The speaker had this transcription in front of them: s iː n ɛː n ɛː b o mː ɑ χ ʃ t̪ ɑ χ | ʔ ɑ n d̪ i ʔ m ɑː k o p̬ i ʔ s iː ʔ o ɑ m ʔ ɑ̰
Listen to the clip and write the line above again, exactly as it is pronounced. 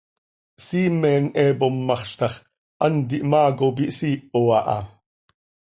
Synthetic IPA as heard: s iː m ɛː n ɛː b o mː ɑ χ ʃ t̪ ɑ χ | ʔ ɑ n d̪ i ʔ m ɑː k o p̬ i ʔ s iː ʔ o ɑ ʔ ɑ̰